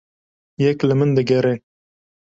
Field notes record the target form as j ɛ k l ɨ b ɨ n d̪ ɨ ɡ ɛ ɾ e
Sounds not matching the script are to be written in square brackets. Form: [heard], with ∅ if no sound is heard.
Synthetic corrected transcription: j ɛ k l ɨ [m] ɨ n d̪ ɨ ɡ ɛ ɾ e